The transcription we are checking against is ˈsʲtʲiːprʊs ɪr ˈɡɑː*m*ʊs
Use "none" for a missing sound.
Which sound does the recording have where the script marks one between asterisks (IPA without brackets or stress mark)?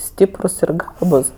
b